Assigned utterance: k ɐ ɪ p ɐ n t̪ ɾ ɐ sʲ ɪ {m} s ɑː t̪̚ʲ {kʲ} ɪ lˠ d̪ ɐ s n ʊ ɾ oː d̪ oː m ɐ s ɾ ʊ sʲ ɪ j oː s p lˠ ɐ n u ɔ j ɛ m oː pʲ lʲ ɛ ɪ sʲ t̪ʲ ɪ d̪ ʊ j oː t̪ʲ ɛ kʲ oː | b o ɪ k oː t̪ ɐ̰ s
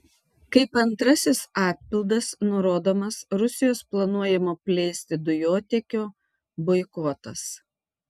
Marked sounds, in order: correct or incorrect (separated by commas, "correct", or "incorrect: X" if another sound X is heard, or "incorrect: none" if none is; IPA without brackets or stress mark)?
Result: incorrect: none, incorrect: pʲ